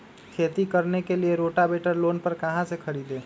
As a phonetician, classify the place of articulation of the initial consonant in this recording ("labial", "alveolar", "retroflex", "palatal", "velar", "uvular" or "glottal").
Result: velar